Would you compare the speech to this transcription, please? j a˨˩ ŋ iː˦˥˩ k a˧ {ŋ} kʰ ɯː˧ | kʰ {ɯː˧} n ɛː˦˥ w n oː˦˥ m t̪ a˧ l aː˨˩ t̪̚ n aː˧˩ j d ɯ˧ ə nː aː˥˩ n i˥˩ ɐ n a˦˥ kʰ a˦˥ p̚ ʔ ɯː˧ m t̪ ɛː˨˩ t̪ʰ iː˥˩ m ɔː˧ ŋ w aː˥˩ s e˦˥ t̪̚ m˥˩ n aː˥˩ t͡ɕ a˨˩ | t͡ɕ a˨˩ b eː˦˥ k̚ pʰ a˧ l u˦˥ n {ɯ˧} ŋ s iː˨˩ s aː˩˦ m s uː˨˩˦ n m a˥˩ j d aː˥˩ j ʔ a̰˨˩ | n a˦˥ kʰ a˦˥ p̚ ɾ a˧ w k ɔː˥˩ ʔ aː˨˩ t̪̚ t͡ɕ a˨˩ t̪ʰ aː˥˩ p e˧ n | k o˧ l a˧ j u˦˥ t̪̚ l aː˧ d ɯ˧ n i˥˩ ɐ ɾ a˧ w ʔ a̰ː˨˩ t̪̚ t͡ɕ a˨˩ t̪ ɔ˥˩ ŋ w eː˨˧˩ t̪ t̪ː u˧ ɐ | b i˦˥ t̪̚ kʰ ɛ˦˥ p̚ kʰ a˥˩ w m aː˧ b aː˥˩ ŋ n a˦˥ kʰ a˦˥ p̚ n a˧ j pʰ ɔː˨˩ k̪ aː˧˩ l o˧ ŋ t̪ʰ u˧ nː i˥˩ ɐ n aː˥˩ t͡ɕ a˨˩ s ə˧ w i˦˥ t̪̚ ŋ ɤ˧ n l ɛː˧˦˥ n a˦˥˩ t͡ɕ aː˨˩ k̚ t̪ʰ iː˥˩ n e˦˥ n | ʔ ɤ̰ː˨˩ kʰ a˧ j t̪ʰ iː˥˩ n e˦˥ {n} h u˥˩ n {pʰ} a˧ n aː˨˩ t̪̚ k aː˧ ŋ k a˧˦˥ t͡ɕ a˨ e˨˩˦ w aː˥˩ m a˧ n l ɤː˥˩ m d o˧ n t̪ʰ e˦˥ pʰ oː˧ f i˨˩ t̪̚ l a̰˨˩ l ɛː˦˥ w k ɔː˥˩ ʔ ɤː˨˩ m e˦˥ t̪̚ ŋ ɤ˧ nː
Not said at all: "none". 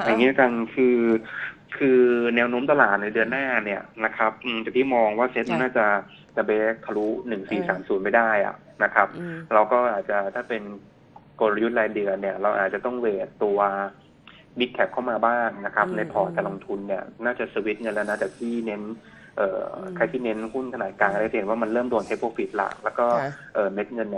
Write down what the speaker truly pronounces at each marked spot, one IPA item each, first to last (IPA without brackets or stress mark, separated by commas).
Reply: n, ɯː˧, ɯ˨˩, n, kʰ